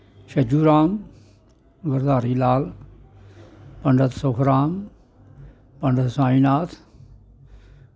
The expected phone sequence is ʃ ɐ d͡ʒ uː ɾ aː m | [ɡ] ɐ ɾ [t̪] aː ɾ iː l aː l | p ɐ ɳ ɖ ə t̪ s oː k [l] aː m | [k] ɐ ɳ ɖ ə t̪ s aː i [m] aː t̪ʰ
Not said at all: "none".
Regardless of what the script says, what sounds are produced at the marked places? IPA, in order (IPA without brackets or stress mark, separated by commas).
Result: ɡ, d̪, ɾ, p, n